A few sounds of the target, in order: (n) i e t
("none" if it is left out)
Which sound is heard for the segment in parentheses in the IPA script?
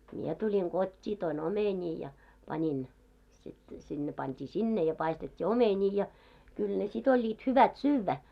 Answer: m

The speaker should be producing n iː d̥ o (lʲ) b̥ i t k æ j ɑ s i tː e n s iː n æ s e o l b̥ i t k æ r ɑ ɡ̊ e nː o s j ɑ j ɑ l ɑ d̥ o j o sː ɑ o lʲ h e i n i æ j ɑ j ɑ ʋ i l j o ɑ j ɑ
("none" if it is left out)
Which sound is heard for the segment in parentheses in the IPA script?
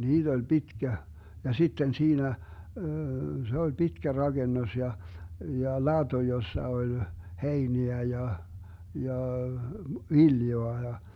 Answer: lʲ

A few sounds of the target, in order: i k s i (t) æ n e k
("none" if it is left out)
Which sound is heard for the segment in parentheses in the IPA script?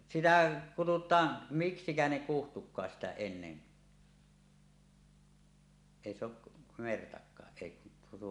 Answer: k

